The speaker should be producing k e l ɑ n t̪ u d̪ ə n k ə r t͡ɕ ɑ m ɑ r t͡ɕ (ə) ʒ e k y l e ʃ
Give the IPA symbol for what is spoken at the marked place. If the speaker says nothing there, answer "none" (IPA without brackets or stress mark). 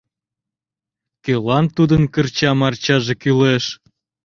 ɑ